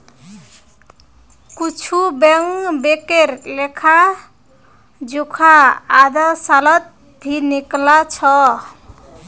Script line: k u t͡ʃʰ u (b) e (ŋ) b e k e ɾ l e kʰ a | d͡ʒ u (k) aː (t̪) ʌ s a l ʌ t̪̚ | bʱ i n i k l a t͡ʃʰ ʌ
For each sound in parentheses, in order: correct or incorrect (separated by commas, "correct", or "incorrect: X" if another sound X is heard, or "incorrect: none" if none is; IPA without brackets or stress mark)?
correct, correct, incorrect: kʰ, incorrect: d̪